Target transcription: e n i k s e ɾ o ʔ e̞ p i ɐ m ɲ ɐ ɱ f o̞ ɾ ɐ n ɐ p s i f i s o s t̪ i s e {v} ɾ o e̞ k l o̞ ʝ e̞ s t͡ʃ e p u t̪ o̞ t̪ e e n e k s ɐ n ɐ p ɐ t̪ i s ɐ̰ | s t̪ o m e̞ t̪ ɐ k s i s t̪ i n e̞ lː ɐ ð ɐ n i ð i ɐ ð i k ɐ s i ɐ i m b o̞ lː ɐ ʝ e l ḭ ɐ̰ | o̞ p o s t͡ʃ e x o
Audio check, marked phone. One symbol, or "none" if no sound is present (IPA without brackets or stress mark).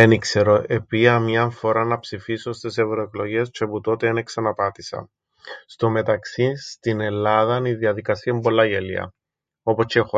v